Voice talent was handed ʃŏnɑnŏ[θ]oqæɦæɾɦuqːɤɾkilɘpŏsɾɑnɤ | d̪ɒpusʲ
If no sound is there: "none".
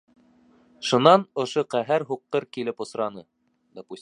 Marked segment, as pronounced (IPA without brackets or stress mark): ʃ